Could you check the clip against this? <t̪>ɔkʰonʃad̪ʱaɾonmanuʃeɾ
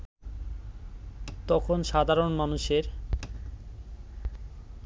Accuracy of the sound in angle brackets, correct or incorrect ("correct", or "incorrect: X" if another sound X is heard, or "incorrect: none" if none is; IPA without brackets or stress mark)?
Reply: correct